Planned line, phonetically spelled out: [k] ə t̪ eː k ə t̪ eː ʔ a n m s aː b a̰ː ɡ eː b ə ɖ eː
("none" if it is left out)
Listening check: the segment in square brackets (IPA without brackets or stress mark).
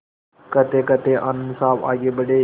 k